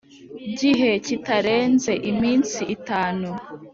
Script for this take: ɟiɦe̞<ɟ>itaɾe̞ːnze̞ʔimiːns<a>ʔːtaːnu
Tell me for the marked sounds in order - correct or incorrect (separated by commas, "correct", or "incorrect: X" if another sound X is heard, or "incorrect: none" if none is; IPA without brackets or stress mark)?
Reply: incorrect: c, incorrect: i